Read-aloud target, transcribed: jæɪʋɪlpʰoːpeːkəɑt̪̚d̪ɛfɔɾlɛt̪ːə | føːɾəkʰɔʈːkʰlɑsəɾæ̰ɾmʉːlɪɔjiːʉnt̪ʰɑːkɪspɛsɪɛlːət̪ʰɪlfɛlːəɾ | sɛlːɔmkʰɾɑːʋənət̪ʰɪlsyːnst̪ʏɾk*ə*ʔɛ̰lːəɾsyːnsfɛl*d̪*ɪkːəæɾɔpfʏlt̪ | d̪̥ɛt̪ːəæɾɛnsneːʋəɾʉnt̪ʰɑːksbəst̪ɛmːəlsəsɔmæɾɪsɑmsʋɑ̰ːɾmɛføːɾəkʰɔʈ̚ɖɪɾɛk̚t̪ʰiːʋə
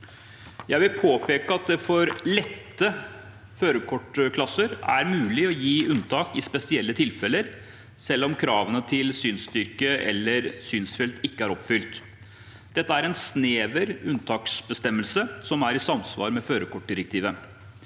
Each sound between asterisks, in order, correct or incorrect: correct, incorrect: t̪

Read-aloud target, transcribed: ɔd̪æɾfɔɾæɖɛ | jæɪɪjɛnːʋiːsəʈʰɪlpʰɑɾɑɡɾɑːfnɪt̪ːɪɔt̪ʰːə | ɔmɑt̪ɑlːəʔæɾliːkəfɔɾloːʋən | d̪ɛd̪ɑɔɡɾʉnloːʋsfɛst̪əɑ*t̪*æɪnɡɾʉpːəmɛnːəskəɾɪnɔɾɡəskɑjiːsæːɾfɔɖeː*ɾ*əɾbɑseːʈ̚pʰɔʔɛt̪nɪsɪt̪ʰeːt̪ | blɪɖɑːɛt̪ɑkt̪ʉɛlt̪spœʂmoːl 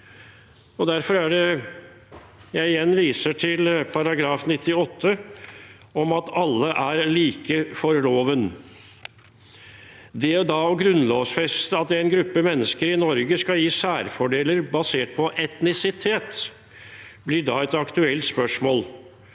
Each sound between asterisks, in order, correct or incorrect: correct, incorrect: l

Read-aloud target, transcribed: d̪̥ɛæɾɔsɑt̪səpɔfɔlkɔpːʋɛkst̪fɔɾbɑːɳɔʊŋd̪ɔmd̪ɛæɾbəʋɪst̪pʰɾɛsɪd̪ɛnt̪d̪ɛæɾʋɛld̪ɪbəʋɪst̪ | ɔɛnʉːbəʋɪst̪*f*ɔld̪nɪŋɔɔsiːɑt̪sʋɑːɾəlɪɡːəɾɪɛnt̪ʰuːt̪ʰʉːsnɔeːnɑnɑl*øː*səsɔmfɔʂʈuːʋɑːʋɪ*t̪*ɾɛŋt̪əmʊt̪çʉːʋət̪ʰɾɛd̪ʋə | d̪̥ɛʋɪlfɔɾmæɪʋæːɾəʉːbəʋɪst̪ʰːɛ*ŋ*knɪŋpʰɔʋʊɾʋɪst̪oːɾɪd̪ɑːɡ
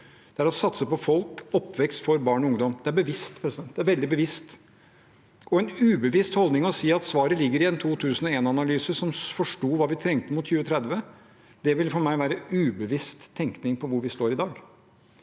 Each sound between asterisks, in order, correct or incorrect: incorrect: h, incorrect: yː, incorrect: t̪ʰ, correct

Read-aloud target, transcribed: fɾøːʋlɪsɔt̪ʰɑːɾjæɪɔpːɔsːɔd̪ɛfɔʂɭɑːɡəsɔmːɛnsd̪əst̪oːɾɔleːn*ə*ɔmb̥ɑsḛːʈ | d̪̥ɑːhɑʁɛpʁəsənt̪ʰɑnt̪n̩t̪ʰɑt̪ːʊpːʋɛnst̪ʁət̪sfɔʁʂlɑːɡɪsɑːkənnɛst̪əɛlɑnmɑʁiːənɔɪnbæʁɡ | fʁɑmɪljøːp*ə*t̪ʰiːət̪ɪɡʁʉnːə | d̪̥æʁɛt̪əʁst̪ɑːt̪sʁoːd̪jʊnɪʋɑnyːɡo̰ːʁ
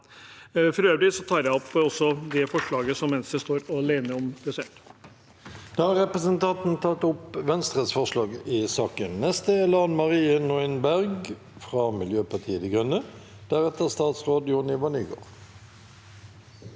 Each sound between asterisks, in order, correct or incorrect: correct, incorrect: ɑ

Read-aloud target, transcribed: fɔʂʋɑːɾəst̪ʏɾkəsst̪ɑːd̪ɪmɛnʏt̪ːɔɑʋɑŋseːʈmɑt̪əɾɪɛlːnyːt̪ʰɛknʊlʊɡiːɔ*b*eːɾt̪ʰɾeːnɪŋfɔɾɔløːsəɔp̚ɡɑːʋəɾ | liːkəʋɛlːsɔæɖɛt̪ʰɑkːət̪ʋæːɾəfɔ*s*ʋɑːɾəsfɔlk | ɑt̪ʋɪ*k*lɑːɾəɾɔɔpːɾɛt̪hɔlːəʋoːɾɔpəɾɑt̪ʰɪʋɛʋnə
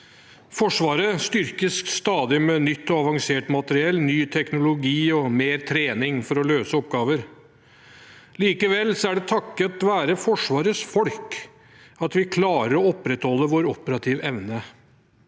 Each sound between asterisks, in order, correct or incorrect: incorrect: m, incorrect: ʂ, incorrect: kʰ

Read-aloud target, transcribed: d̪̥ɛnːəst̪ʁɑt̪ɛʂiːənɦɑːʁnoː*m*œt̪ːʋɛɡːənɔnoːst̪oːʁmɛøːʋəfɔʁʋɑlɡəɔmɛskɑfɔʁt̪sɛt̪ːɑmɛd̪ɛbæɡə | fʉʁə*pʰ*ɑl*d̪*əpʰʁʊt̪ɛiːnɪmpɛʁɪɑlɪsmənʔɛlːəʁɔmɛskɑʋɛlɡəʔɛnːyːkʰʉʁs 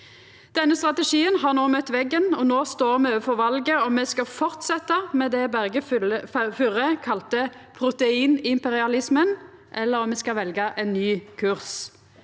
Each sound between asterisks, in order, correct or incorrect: correct, incorrect: kʰ, incorrect: t̪

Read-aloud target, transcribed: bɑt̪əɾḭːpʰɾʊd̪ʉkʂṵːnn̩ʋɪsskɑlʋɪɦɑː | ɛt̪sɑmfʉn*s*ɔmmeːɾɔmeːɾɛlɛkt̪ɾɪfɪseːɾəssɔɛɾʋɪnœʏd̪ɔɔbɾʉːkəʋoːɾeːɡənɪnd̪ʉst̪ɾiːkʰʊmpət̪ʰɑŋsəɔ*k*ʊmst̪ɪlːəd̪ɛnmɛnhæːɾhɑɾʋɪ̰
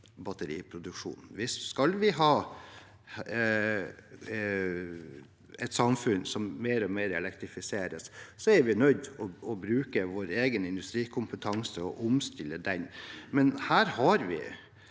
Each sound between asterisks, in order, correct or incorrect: correct, incorrect: ʔ

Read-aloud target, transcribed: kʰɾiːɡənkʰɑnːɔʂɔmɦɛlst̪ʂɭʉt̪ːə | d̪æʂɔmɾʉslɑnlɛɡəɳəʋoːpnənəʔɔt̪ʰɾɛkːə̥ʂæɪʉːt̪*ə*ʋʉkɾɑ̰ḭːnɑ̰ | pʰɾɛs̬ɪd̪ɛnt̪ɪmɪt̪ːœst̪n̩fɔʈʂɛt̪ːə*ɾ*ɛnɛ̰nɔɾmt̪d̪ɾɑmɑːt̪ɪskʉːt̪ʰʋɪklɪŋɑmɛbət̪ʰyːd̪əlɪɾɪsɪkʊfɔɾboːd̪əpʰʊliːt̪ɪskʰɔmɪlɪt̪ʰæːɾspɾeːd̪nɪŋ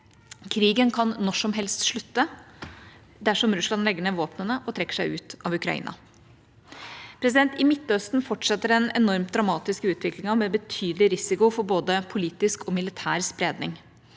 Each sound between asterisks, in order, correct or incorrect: incorrect: ɑ, correct

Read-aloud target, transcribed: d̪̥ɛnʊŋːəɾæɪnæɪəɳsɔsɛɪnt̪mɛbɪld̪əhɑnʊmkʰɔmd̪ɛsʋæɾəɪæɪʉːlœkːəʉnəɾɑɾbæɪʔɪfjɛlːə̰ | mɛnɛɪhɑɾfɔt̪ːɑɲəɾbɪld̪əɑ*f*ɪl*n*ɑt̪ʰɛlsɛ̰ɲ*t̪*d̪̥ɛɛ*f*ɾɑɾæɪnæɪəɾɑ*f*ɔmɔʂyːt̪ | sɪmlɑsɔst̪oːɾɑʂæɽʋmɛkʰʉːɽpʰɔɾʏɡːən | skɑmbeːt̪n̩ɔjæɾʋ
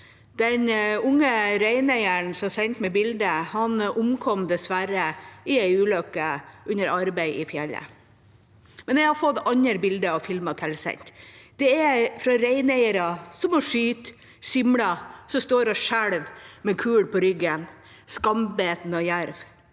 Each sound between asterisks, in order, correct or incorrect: correct, incorrect: m, correct, correct, incorrect: s

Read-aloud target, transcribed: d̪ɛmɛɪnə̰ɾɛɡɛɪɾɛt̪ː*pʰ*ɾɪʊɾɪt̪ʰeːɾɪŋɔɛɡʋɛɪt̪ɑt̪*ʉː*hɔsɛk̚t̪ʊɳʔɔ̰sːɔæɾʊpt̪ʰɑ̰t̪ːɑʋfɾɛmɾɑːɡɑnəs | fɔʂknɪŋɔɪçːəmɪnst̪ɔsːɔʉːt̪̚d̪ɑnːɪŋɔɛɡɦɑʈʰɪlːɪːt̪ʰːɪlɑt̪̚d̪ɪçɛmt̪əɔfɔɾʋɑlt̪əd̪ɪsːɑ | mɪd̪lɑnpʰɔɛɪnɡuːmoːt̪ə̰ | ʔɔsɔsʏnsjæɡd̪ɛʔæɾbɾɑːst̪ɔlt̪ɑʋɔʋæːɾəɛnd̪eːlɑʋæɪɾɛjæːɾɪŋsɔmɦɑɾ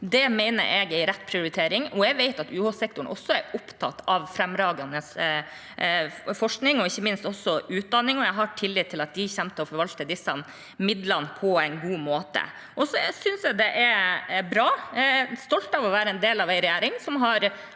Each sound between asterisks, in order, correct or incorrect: correct, correct

